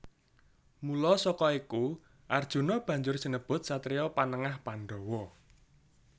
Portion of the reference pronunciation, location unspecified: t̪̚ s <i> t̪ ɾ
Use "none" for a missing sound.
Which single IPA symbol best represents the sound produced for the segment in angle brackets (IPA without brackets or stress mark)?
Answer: a